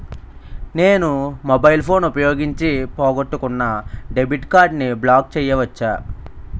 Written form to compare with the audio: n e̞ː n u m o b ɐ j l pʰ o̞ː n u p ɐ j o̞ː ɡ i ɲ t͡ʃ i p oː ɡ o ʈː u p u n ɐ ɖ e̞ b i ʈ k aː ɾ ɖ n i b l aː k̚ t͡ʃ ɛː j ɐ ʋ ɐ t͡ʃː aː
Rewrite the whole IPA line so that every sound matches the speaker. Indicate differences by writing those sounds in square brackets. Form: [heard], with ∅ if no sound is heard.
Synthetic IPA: n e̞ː n u m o b ɐ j l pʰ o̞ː n u p ɐ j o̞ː ɡ i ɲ t͡ʃ i p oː ɡ o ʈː u [k] u [nː] ɐ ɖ e̞ b i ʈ k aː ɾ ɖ n i b l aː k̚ t͡ʃ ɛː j ɐ ʋ ɐ t͡ʃː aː